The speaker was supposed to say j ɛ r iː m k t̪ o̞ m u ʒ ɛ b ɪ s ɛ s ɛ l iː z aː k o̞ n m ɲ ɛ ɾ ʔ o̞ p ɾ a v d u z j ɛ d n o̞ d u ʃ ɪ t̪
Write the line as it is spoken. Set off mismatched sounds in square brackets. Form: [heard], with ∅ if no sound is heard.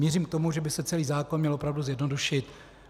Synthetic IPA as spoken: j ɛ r iː m k t̪ o̞ m u ʒ ɛ b ɪ s ɛ [t͡s] ɛ l iː z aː k o̞ n m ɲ ɛ [l] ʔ o̞ p ɾ a v d u z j ɛ d n o̞ d u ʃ ɪ t̪